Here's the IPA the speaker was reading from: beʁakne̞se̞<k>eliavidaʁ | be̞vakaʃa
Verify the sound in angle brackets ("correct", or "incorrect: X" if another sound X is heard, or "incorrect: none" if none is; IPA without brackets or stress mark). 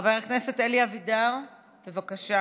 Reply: incorrect: t